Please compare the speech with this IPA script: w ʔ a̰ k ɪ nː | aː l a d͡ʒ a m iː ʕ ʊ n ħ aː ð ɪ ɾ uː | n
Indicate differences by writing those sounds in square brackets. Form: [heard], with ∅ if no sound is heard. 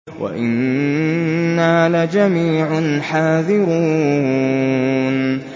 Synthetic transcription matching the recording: w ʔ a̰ [ʔ] ɪ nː | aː l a d͡ʒ a m iː ʕ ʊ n ħ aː ð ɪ ɾ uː | n